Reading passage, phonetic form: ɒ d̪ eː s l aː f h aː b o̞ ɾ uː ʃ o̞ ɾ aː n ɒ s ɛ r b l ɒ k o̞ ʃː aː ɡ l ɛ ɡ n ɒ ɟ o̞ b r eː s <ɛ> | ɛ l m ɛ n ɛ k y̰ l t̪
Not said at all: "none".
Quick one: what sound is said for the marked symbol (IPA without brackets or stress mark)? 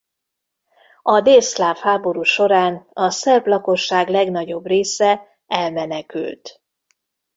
ɛ